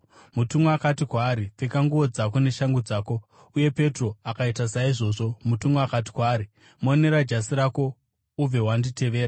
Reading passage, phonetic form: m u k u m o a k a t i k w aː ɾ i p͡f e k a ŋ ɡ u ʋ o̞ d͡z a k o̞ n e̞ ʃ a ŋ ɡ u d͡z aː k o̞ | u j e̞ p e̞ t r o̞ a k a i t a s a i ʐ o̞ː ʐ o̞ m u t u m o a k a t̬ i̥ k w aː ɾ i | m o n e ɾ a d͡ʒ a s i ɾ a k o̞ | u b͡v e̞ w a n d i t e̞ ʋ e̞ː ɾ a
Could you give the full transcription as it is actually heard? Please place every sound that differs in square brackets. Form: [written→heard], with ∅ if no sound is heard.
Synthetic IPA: m u [k→t] u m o a k a t i k w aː ɾ i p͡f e k a ŋ ɡ u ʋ o̞ d͡z a k o̞ n e̞ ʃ a ŋ ɡ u d͡z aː k o̞ | u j e̞ p e̞ t r o̞ a k a i t a s a i ʐ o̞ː ʐ o̞ m u t u m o a k a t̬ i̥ k w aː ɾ i | m o n e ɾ a d͡ʒ a s i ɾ a k o̞ | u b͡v e̞ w a n d i t e̞ ʋ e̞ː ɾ a

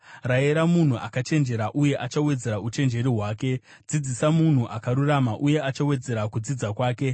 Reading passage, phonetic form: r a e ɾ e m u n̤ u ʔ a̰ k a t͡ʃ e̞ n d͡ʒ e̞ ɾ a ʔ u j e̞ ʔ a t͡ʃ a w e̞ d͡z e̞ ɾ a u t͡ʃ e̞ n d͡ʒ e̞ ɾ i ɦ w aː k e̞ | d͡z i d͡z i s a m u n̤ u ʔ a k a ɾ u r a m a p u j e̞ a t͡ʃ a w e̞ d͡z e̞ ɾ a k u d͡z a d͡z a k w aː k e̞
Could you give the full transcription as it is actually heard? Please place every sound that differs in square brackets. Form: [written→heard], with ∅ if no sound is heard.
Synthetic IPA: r a e ɾ [e→a] m u n̤ u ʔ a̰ k a t͡ʃ e̞ n d͡ʒ e̞ ɾ a ʔ u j e̞ ʔ a t͡ʃ a w e̞ d͡z e̞ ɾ a u t͡ʃ e̞ n d͡ʒ e̞ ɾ i ɦ w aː k e̞ | d͡z i d͡z i s a m u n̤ u ʔ a k a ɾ u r a m a [p→ʔ] u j e̞ a t͡ʃ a w e̞ d͡z e̞ ɾ a k u d͡z [a→i] d͡z a k w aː k e̞

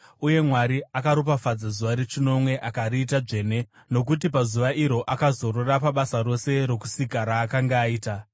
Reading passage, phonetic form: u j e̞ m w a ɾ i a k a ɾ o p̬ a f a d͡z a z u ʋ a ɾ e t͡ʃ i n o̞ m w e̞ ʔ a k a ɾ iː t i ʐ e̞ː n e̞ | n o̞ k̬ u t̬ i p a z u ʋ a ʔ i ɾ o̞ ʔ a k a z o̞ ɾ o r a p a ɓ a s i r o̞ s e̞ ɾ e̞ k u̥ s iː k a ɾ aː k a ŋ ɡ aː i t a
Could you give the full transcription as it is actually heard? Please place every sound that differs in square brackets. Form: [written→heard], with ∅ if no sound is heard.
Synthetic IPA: u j e̞ m w a ɾ i a k a ɾ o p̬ a f a d͡z a z u ʋ a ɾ e t͡ʃ i n o̞ m w e̞ ʔ a k a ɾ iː t [i→a] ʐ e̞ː n e̞ | n o̞ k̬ u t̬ i p a z u ʋ a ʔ i ɾ o̞ ʔ a k a z o̞ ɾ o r a p a ɓ a s [i→a] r o̞ s e̞ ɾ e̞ k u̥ s [iː→i] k a ɾ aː k a ŋ ɡ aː [i→iː] t a

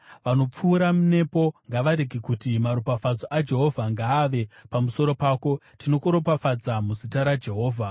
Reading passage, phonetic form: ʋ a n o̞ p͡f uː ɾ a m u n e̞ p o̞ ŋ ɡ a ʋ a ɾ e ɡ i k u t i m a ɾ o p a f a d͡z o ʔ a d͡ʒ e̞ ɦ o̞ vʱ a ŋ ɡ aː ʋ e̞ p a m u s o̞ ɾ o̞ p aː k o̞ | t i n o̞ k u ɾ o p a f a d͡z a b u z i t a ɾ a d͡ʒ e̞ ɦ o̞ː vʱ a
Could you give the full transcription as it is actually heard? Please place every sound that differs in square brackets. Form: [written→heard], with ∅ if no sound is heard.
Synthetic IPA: ʋ a n o̞ p͡f uː ɾ a m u n e̞ p o̞ ŋ ɡ a ʋ a ɾ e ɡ i k u t i m a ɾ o p a f a d͡z o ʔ a d͡ʒ e̞ ɦ o̞ vʱ a ŋ ɡ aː ʋ e̞ p a m u s o̞ ɾ o̞ p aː k o̞ | t i n o̞ k u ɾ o p a f a d͡z a [b→m] u z i t a ɾ a d͡ʒ e̞ ɦ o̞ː vʱ a

